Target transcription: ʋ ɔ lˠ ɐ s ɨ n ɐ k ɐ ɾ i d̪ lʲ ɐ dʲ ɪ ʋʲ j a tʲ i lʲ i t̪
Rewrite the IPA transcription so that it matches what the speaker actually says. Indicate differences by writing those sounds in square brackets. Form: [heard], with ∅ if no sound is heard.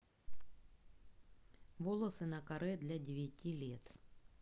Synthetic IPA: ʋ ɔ lˠ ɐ s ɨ n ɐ k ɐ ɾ [ɛ] d̪ lʲ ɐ dʲ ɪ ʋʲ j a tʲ i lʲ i t̪